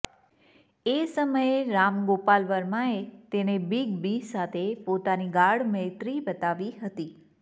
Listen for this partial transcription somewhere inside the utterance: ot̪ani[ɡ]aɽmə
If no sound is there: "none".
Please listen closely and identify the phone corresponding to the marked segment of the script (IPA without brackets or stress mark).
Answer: ɡ